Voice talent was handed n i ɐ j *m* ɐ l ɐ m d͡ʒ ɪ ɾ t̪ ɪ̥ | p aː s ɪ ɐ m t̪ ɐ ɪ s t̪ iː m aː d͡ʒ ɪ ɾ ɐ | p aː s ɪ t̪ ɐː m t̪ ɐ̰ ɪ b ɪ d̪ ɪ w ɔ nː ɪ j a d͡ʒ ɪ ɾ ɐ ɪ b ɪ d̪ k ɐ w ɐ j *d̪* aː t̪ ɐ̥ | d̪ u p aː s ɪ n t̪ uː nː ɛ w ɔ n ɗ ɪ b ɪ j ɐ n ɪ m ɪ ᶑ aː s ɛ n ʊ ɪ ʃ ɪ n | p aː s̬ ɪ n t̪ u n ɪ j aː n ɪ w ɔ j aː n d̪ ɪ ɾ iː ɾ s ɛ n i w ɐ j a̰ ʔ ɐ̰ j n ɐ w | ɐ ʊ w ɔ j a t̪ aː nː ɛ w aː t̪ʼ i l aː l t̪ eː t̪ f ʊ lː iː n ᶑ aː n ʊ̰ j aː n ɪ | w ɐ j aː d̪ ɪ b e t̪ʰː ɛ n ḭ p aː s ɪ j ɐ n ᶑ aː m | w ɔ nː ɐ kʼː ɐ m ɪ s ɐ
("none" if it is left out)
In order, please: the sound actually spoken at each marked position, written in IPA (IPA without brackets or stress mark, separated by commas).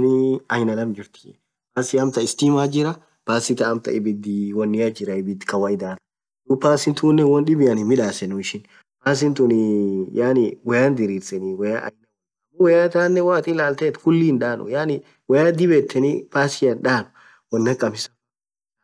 n, d̪